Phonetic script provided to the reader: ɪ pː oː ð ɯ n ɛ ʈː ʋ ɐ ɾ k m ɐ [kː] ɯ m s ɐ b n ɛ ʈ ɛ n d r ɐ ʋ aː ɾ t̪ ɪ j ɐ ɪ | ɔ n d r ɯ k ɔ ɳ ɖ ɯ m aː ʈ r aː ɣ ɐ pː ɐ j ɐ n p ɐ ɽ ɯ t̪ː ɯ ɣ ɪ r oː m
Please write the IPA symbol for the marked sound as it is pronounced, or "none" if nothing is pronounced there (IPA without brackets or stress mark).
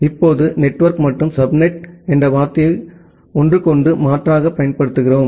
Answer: ʈː